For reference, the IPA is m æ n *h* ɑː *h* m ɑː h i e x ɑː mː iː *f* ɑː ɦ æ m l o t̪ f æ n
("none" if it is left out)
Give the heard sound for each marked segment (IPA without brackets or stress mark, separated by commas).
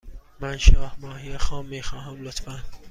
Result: ʃ, h, x